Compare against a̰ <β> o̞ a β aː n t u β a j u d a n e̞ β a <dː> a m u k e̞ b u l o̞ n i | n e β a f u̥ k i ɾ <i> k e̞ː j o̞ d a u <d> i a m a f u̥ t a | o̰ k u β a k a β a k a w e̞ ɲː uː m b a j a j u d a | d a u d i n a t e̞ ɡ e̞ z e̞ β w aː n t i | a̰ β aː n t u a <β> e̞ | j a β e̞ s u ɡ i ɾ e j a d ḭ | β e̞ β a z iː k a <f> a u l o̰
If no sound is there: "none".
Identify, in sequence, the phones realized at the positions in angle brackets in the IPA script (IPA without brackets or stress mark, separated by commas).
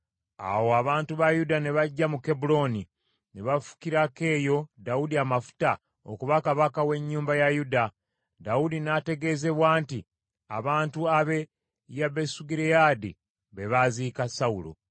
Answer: w, ɟː, a, d, β, s